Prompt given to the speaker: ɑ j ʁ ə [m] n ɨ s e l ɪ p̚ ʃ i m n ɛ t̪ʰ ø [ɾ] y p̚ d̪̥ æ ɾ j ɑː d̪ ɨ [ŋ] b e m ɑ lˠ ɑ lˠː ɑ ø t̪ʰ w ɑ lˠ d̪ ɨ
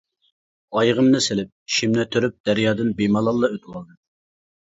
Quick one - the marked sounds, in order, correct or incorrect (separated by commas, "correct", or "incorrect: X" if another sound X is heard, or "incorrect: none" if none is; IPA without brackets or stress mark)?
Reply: correct, correct, incorrect: n